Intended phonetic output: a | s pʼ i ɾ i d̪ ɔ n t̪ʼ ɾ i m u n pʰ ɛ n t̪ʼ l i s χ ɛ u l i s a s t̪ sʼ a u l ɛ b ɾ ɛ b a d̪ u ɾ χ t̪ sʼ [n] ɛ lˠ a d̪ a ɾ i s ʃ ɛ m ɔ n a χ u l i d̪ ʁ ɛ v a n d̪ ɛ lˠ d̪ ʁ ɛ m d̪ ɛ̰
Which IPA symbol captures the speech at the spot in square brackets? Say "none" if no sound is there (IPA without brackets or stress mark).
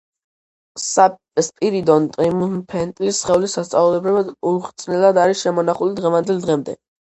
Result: n